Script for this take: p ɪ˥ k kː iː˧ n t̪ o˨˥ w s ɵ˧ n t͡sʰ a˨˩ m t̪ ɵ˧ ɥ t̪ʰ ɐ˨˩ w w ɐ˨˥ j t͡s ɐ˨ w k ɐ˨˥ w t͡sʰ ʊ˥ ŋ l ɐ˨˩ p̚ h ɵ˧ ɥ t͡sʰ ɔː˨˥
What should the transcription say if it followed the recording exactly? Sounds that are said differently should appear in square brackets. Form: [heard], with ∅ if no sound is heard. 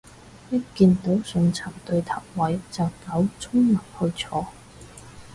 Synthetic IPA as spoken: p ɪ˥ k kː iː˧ n t̪ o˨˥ w s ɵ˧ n t͡sʰ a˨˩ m t̪ ɵ˧ ɥ t̪ʰ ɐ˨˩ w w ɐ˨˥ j t͡s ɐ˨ w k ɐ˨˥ w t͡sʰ ʊ˥ ŋ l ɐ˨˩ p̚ h ɵ˧ ɥ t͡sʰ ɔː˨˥